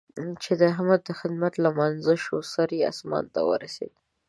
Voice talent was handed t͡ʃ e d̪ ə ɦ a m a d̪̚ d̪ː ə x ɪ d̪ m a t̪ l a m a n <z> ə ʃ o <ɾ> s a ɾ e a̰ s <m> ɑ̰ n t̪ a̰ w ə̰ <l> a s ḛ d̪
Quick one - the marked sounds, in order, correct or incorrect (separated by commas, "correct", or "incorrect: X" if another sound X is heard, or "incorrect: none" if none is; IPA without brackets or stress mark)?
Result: correct, incorrect: none, correct, incorrect: ɾ